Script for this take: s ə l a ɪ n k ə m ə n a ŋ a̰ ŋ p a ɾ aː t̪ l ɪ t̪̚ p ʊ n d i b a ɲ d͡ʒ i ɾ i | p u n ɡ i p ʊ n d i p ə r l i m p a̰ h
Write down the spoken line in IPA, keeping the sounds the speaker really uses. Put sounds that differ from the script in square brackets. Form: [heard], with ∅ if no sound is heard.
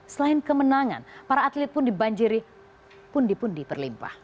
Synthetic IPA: s ə l a ɪ n k ə m ə n a ŋ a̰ [n] p a ɾ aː t̪ l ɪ t̪̚ p ʊ n d i b a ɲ d͡ʒ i ɾ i | p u n [d] i p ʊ n d i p ə r l i m p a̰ h